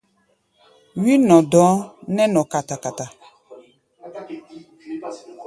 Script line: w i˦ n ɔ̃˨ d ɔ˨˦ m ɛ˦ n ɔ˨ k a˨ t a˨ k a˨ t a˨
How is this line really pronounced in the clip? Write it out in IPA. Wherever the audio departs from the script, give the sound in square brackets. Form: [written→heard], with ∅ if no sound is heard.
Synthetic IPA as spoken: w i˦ n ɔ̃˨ d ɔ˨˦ [m→n] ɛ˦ n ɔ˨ k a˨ t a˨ k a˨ t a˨